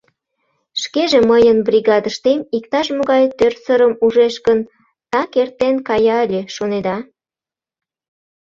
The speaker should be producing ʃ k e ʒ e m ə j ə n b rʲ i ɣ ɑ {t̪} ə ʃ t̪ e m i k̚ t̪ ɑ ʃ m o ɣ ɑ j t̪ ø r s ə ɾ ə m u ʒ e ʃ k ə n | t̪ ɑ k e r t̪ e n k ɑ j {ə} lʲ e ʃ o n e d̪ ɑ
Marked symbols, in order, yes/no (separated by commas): no, no